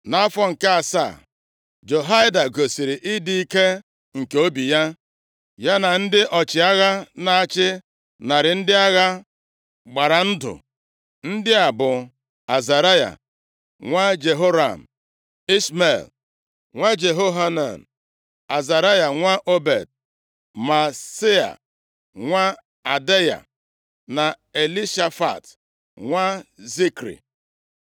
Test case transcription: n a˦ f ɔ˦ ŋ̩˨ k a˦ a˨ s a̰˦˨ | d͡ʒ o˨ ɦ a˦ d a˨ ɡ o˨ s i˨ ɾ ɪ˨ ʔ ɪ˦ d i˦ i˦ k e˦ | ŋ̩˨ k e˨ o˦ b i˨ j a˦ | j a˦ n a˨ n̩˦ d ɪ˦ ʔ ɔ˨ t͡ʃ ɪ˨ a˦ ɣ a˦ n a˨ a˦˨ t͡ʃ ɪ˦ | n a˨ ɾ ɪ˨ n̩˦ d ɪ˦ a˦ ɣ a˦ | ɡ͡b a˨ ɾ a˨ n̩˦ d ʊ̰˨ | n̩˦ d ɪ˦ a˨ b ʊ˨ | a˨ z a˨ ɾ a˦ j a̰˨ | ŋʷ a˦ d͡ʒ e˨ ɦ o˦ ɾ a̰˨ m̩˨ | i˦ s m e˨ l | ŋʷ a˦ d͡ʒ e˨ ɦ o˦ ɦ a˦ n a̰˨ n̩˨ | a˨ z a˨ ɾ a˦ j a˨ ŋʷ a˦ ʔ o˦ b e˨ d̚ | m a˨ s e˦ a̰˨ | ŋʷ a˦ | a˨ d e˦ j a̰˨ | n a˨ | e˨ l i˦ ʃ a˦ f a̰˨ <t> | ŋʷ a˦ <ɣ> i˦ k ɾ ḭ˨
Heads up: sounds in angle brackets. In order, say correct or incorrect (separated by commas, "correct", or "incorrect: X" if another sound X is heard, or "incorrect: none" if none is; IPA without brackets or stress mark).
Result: correct, incorrect: z